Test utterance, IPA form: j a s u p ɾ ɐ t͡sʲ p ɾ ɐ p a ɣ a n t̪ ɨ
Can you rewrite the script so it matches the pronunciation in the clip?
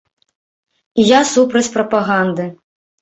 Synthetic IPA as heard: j a s u p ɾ ɐ t͡sʲ p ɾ ɐ p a ɣ a n d̪ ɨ